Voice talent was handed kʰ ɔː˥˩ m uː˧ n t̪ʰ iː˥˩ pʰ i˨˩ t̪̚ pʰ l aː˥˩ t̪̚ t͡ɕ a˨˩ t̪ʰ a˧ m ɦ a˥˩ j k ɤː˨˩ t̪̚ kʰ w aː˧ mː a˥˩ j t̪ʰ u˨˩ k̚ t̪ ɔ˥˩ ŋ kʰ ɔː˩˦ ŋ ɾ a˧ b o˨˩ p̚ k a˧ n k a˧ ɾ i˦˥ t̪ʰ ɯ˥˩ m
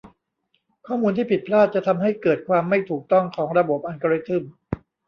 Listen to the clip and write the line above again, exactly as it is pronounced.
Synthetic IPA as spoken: kʰ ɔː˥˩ m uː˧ n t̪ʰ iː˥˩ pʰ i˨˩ t̪̚ pʰ l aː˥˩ t̪̚ t͡ɕ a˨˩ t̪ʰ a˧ m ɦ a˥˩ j k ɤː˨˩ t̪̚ kʰ w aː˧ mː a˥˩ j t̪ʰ uː˨˩ k̚ t̪ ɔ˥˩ ŋ kʰ ɔː˩˦ ŋ ɾ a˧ b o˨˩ p̚ ʔ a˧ n k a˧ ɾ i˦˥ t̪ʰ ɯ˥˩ m